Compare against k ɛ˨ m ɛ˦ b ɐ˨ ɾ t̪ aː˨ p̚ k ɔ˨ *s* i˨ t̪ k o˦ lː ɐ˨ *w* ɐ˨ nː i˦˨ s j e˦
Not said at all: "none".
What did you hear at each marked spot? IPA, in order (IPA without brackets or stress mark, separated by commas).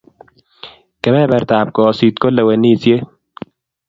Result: s, w